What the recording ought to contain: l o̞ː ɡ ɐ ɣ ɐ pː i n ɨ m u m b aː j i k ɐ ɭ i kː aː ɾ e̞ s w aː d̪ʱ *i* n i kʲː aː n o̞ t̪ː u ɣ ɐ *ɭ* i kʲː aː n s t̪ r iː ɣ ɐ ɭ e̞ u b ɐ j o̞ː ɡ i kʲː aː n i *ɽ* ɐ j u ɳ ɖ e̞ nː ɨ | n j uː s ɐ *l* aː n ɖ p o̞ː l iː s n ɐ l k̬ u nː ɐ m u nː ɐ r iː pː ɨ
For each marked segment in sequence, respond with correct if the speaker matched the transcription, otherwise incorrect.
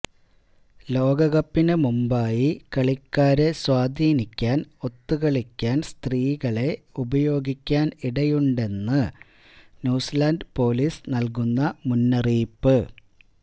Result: incorrect, correct, correct, correct

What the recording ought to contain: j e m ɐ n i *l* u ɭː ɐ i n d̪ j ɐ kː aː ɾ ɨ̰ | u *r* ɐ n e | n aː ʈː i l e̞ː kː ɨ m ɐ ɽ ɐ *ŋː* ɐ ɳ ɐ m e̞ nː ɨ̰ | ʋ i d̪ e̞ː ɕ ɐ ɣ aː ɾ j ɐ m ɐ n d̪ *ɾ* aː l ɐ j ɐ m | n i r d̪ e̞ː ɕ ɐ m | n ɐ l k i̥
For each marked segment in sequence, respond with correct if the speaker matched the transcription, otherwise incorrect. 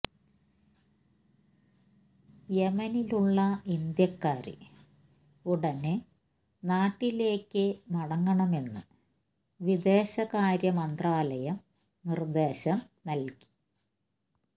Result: correct, incorrect, correct, incorrect

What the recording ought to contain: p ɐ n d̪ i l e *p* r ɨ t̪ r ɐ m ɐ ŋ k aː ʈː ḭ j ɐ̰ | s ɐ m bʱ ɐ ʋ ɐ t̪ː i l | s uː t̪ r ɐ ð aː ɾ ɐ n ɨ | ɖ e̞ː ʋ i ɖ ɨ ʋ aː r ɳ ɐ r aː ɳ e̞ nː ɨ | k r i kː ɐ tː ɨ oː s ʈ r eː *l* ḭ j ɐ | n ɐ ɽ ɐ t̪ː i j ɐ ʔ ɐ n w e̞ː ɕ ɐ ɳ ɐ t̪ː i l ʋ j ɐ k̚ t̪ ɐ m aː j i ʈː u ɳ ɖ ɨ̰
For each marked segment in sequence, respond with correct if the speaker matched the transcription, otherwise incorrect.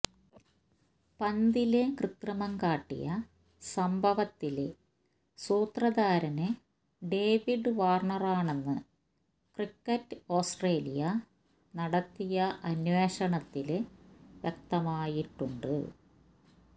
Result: incorrect, correct

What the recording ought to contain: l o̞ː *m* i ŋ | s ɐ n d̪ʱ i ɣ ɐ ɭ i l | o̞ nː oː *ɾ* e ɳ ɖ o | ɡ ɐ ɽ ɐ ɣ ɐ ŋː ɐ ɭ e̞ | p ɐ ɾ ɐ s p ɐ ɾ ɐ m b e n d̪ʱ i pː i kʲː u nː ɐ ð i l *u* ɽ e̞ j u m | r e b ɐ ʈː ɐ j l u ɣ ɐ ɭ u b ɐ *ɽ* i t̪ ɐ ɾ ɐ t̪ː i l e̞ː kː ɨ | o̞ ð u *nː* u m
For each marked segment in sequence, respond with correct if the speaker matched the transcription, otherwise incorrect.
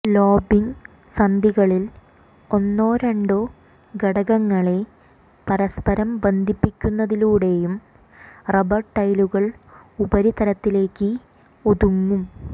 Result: incorrect, correct, incorrect, incorrect, incorrect

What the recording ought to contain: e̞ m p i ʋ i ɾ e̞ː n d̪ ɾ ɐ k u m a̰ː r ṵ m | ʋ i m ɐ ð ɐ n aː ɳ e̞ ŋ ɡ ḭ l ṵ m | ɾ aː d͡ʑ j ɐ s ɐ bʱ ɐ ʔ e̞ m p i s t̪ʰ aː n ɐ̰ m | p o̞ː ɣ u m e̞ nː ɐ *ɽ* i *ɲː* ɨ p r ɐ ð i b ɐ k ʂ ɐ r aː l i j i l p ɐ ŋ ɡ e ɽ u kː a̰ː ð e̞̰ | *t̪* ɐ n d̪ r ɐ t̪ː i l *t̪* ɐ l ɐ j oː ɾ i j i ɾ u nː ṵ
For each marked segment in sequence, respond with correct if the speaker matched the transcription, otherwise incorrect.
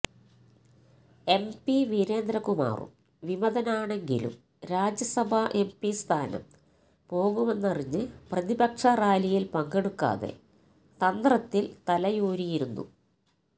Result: incorrect, correct, correct, correct

